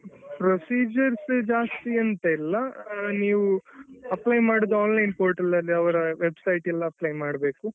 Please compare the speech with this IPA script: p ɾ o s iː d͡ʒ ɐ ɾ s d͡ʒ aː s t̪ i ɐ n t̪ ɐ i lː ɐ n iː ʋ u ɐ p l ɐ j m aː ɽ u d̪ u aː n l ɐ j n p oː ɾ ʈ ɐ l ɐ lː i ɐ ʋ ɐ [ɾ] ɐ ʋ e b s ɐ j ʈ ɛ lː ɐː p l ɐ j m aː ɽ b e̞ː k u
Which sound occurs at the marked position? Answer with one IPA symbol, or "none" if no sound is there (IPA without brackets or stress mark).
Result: ɾ